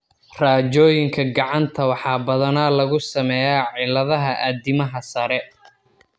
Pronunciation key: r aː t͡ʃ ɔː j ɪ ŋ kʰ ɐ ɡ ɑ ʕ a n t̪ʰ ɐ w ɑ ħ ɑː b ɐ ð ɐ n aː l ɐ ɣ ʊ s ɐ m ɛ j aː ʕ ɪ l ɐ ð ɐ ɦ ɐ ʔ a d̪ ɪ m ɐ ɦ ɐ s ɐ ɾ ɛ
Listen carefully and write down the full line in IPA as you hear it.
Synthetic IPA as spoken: r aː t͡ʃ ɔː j ɪ ŋ kʰ ɐ ɡ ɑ ʕ ɑ n t̪ʰ ɐ w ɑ ħ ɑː b ɐ ð ɐ n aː l ɐ ɣ ʊ s ɐ m ɛ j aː ʕ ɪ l ɐ ð ɐ ɦ ɐ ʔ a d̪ ɪ m ɐ ɦ ɐ s ɐ ɾ ɛ